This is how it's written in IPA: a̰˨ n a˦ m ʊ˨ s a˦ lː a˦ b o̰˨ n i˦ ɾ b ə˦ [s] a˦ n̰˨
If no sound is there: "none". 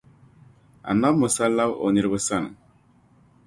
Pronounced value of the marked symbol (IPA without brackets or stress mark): s